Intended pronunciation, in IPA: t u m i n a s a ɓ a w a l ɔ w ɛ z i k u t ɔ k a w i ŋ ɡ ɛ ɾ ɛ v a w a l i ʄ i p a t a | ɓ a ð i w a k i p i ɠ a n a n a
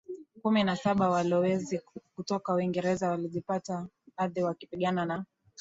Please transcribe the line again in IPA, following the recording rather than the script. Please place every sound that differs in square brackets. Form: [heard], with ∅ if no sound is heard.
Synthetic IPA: [k] u m i n a s a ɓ a w a l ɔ w ɛ z i k u t ɔ k a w i ŋ ɡ ɛ ɾ ɛ [z] a w a l i ʄ i p a t a | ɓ a ð i w a k i p i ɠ a n a n a